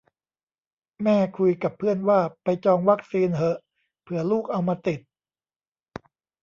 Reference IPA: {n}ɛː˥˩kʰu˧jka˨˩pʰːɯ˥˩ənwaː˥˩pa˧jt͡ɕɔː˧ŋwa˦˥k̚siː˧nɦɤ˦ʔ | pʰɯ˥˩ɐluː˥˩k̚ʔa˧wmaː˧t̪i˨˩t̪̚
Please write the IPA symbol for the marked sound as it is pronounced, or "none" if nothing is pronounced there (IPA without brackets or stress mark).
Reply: m